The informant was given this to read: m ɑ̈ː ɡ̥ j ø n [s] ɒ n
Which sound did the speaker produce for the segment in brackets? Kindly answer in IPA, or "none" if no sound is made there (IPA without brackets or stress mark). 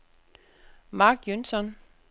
s